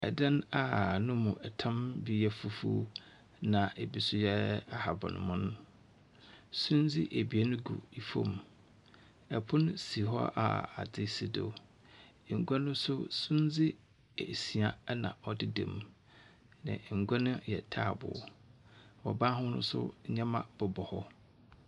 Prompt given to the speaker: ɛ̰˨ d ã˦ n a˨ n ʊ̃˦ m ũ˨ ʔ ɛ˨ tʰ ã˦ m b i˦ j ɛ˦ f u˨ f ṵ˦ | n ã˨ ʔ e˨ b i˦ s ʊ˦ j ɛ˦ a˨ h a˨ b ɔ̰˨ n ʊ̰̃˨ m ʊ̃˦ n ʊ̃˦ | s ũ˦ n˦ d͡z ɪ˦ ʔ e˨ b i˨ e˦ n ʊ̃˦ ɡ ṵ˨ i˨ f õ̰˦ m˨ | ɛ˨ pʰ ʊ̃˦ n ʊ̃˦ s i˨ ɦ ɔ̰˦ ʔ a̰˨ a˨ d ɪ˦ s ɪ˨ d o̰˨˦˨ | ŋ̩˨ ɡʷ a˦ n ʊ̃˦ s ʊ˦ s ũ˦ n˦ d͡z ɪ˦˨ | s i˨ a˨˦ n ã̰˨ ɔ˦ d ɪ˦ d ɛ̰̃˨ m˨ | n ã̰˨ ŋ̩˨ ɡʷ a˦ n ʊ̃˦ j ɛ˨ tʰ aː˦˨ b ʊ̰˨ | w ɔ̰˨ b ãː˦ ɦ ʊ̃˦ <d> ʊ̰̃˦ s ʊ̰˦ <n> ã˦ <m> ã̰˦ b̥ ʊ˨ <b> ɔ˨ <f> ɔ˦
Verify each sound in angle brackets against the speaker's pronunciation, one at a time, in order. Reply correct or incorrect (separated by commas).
incorrect, incorrect, correct, correct, incorrect